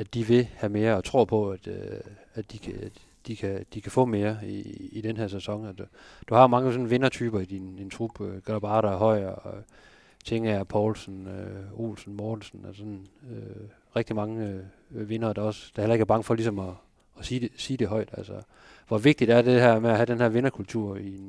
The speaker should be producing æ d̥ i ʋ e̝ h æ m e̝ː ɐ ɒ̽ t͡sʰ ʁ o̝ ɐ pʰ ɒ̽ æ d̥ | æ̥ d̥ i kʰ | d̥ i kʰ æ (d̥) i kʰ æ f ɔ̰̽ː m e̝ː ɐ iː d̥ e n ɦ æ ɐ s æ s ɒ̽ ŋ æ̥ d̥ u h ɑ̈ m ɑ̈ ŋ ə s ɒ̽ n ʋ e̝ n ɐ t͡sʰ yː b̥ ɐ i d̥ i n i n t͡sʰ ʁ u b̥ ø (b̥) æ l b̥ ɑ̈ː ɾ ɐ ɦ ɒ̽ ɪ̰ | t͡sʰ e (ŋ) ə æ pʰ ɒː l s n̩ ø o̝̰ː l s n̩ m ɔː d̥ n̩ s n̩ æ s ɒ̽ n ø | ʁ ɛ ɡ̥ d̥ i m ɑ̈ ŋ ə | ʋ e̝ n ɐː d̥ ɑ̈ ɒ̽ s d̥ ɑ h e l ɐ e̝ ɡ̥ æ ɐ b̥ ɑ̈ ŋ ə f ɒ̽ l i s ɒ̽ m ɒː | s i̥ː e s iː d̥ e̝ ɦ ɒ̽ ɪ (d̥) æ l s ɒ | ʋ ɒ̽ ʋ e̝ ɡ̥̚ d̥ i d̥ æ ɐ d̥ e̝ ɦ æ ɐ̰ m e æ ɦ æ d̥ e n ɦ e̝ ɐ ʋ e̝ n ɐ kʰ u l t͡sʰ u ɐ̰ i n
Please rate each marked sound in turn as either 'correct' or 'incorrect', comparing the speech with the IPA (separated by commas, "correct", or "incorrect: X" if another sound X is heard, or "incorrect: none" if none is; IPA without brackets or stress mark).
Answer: correct, incorrect: ɡ̥, correct, correct